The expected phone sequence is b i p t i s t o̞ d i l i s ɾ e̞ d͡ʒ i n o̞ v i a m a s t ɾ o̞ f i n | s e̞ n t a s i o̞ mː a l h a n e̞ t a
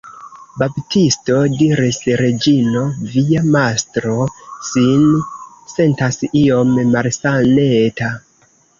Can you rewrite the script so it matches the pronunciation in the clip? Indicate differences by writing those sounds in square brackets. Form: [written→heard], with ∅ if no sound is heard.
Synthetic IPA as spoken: b [i→a] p t i s t o̞ d i [l→ɾ] i s ɾ e̞ d͡ʒ i n o̞ v i a m a s t ɾ o̞ [f→s] i n | s e̞ n t a s i o̞ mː a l [h→s] a n e̞ t a